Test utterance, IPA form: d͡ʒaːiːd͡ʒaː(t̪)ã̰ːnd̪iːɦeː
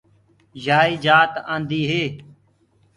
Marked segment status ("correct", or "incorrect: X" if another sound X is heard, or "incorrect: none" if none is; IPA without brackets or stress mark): correct